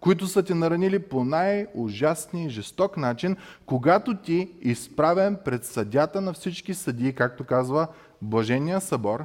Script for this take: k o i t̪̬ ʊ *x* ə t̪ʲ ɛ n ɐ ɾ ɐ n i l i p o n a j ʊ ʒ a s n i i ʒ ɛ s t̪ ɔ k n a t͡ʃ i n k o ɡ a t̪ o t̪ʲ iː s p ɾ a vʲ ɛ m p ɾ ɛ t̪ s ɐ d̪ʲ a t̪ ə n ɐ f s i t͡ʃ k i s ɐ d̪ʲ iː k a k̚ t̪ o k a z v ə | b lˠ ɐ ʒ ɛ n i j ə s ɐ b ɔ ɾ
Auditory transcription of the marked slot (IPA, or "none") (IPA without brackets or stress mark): s